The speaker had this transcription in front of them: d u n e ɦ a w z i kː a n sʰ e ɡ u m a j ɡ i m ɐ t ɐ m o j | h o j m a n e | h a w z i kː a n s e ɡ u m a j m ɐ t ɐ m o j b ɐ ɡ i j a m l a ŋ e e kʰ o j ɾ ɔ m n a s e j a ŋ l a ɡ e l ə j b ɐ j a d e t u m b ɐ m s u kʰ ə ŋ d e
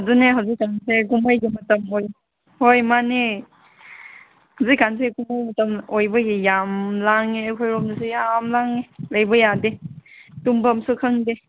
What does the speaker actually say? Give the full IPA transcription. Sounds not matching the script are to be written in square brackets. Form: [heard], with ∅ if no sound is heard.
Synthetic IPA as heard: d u n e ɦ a w z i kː a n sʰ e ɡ u m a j ɡ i m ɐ t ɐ m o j | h o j m a n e | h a w z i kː a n s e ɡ u m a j m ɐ t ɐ m o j b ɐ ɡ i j a m l a ŋ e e kʰ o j ɾ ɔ m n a s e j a [m] l a [ŋ] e l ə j b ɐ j a d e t u m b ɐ m s u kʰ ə ŋ d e